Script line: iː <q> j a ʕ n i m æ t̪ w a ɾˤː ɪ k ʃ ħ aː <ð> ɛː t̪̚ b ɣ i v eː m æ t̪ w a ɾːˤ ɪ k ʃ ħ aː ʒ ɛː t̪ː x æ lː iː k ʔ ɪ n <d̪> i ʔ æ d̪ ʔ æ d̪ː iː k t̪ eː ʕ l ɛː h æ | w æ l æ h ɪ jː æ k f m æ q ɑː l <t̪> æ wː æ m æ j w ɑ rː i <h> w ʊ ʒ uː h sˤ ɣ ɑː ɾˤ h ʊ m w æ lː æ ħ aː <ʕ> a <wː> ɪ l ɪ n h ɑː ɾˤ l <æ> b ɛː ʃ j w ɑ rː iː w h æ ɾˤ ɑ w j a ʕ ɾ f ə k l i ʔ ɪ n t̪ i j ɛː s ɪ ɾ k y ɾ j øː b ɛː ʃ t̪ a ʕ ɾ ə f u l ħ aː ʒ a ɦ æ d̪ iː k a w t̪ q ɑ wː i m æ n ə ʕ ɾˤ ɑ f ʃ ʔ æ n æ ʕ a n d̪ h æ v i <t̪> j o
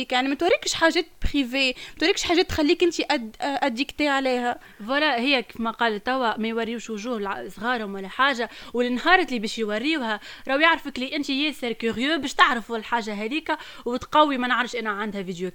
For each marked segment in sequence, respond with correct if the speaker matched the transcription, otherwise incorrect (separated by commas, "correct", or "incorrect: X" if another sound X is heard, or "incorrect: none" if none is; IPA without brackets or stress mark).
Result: incorrect: k, incorrect: ʒ, incorrect: t̪, correct, incorrect: ʃ, incorrect: ʒ, incorrect: w, incorrect: i, incorrect: d̪